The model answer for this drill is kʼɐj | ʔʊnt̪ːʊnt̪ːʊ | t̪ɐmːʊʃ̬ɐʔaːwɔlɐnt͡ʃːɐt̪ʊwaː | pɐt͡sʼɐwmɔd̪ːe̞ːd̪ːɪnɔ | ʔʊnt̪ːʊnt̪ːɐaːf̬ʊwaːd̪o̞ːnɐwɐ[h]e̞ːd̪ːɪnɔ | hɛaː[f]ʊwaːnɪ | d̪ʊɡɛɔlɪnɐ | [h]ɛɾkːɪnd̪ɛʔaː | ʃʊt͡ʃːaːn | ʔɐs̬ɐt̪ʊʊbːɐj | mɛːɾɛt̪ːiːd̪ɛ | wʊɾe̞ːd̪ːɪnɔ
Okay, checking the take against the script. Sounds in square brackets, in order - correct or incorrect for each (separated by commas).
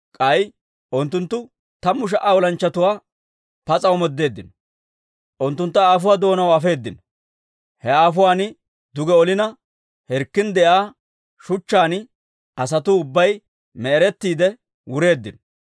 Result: incorrect, correct, correct